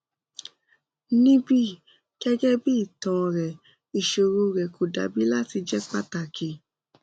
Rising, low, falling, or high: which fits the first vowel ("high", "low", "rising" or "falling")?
high